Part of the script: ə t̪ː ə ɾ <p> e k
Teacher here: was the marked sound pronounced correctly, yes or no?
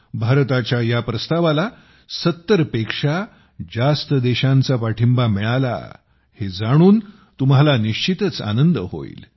yes